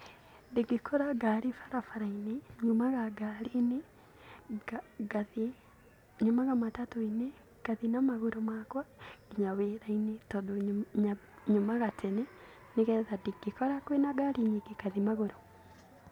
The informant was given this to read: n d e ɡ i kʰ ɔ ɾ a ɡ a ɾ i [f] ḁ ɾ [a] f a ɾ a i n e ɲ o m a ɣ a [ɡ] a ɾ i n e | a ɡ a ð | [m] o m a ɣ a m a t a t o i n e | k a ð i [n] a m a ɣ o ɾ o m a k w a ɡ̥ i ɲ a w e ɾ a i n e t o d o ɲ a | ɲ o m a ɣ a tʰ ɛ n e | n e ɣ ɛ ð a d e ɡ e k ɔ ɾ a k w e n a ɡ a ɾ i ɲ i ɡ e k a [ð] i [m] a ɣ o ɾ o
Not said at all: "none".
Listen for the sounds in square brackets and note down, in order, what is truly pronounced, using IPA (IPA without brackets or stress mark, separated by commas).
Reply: f, a, ɡ, ɲ, n, ð, m